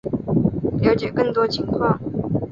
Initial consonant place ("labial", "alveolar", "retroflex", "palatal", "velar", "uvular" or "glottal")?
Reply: alveolar